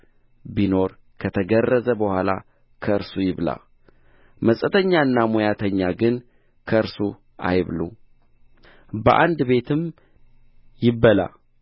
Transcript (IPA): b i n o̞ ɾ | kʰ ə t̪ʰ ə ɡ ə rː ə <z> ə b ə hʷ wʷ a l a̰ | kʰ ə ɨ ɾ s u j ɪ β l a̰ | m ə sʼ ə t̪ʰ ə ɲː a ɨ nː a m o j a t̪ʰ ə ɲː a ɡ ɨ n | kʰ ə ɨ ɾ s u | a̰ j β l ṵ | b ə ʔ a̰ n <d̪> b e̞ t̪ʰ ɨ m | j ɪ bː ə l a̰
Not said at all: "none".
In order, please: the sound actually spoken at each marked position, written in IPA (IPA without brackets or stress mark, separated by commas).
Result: z, d̪